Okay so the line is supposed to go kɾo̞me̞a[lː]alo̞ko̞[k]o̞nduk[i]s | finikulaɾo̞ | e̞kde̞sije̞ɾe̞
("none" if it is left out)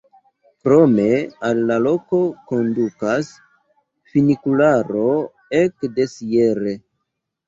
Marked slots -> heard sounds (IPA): lː, k, a

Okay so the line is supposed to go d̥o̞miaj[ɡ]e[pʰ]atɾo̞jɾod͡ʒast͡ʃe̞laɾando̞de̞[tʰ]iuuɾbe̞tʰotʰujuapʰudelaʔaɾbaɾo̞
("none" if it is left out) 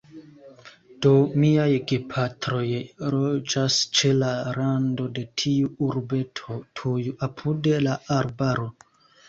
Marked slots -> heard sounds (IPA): ɡ, pʰ, tʰ

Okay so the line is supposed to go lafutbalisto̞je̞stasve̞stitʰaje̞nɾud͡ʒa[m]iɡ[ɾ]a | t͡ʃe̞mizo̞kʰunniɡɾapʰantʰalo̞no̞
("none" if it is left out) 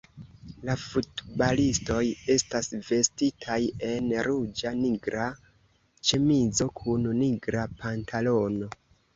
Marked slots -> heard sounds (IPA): n, ɾ

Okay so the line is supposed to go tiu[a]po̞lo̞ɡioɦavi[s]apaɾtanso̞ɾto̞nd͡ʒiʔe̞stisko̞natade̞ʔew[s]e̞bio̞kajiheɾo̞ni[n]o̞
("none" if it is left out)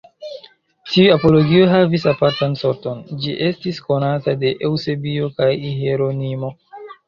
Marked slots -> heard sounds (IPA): a, s, s, m

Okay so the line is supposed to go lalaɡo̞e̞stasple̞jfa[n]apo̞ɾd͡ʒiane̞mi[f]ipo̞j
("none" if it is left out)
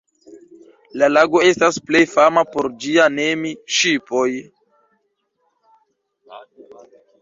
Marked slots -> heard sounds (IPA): m, ʃ

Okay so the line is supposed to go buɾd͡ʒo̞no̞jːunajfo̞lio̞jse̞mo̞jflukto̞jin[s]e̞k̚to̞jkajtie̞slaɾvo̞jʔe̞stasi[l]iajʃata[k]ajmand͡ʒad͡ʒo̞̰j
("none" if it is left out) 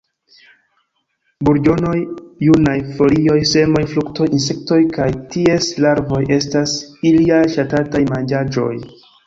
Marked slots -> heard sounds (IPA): s, l, t

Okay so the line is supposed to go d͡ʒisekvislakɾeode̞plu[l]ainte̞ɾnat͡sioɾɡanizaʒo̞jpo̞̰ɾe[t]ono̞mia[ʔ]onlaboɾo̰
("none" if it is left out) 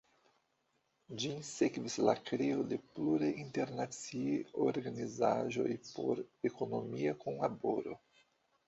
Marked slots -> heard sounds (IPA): ɾ, k, k

